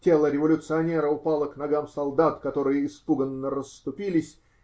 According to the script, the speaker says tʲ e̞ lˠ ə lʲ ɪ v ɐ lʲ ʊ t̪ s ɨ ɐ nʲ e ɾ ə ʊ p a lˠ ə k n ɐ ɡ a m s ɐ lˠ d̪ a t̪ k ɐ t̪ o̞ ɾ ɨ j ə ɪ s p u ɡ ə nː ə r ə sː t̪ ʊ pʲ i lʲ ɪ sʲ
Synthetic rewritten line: tʲ e̞ lˠ ə ɾʲ ɪ v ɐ lʲ ʊ t̪ s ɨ ɐ nʲ e ɾ ə ʊ p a lˠ ə k n ɐ ɡ a m s ɐ lˠ d̪ a t̪ k ɐ t̪ o̞ ɾ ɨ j ə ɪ s p u ɡ ə nː ə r ə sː t̪ ʊ pʲ i lʲ ɪ sʲ

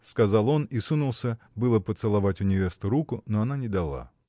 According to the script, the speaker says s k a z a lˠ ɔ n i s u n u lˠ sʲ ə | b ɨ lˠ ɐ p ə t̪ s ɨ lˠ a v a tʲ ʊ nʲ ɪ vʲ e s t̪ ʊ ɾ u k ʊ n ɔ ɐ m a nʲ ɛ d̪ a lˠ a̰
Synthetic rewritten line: s k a z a lˠ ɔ n i s u n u lˠ sʲ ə | b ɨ lˠ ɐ p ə t̪ s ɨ lˠ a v a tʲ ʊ nʲ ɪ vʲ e s t̪ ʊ ɾ u k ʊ n ɔ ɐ n a nʲ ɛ d̪ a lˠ a̰

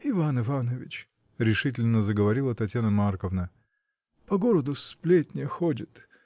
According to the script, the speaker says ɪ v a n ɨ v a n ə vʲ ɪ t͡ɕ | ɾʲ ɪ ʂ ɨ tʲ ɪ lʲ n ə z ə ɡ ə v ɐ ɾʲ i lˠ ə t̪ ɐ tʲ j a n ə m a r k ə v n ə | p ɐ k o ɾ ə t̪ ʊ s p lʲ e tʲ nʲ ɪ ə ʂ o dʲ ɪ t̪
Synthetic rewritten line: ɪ v a n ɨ v a n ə vʲ ɪ t͡ɕ | ɾʲ ɪ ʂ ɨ tʲ ɪ lʲ n ə z ə ɡ ə v ɐ ɾʲ i lˠ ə t̪ ɐ tʲ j a n ə m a r k ə v n ə | p ɐ ɡ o ɾ ə d̪ ʊ s p lʲ e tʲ nʲ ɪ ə x o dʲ ɪ t̪

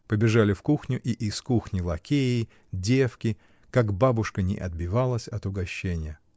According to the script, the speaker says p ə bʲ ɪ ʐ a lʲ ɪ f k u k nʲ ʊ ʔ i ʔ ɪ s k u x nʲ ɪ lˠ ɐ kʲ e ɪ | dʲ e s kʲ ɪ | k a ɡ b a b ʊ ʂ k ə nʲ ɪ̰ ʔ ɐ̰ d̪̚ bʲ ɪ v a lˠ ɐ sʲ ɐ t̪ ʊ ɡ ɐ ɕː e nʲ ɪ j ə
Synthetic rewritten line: p ə bʲ ɪ ʐ a lʲ ɪ f k u x nʲ ʊ ʔ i ʔ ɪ s k u x nʲ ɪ lˠ ɐ kʲ e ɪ | dʲ e f kʲ ɪ | k a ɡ b a b ʊ ʂ k ə nʲ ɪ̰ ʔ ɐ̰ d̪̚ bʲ ɪ v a lˠ ə sʲ ɐ t̪ ʊ ɡ ɐ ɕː e nʲ ɪ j ə

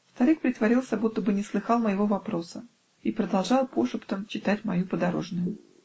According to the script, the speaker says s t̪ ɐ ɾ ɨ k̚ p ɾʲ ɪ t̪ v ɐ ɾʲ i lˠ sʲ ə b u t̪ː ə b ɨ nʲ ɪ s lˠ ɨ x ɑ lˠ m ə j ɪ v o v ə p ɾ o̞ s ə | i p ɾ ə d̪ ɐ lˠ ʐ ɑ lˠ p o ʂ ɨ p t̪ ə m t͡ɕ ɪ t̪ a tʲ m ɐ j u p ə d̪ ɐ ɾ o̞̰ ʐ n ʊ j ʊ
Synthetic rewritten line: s t̪ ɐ ɾ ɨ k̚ p ɾʲ ɪ t̪ v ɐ ɾʲ i lˠ sʲ ə b u t̪ː ə b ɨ nʲ ɪ s lˠ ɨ x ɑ lˠ m ə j ɪ v o v ɐ p ɾ o̞ s ə | i p ɾ ə d̪ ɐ lˠ ʐ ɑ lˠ p o ʂ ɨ p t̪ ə m t͡ɕ ɪ t̪ a tʲ m ɐ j u p ə d̪ ɐ ɾ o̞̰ ʐ n ʊ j ʊ

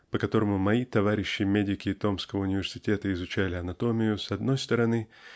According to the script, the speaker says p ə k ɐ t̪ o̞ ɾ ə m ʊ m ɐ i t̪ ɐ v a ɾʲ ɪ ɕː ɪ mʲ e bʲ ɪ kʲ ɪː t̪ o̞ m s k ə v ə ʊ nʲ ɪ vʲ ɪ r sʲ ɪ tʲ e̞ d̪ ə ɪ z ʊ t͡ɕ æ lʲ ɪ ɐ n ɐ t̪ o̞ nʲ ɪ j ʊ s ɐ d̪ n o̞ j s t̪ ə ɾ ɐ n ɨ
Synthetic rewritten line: p ə k ɐ t̪ o̞ ɾ ə m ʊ m ɐ i t̪ ɐ v a ɾʲ ɪ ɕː ɪ mʲ e dʲ ɪ kʲ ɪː t̪ o̞ m s k ə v ə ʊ nʲ ɪ vʲ ɪ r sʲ ɪ tʲ e̞ t̪ ə ɪ z ʊ t͡ɕ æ lʲ ɪ ɐ n ɐ t̪ o̞ mʲ ɪ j ʊ s ɐ d̪ n o̞ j s t̪ ə ɾ ɐ n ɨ

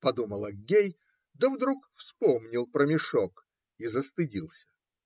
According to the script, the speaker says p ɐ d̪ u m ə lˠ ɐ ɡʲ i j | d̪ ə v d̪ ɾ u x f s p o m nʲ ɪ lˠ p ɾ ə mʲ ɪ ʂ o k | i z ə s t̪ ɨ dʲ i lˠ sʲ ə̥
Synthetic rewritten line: p ɐ d̪ u m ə lˠ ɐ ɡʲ e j | d̪ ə v d̪ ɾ u k f s p o m nʲ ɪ lˠ p ɾ ə mʲ ɪ ʂ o k | i z ə s t̪ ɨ dʲ i lˠ sʲ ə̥

